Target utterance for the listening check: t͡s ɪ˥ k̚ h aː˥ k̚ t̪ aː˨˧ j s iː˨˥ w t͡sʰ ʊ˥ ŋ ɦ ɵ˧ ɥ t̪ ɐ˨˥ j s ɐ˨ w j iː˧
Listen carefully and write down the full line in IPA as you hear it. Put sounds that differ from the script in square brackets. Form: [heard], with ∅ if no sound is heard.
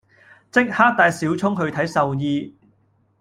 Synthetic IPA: t͡s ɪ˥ k̚ h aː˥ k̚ t̪ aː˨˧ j s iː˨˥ w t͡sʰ ʊ˥ ŋ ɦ ɵ˧ ɥ [t̪ʰ] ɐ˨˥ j s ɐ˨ w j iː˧